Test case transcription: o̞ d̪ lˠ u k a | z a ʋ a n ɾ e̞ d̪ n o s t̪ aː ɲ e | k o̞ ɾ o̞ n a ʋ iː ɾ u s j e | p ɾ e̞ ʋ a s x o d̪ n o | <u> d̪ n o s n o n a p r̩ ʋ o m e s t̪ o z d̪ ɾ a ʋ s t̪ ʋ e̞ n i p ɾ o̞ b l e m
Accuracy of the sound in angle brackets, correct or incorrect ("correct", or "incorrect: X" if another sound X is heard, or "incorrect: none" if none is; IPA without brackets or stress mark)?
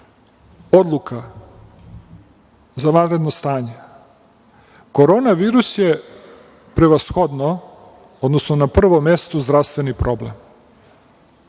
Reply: incorrect: o